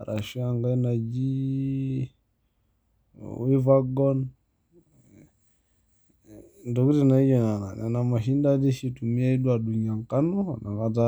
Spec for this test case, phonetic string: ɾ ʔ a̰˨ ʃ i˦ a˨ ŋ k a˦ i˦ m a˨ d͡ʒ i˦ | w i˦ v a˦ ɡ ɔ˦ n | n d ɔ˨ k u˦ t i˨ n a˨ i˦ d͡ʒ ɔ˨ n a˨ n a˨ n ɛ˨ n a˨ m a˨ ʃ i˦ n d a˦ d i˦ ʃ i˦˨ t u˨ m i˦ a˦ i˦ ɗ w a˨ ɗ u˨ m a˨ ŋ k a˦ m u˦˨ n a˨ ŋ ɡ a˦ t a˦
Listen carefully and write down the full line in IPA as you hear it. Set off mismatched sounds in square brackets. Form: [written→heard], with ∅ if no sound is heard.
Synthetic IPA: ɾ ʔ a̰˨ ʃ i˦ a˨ ŋ [k→ɡ] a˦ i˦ [m→n] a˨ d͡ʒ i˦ | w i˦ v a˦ ɡ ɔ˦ n | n d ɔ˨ k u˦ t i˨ n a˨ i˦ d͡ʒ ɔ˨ n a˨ n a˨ n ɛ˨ n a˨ m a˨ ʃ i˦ n d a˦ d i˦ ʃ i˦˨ t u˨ m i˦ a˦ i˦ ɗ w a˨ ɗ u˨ [m→ɲ] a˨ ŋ k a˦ [m→n] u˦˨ n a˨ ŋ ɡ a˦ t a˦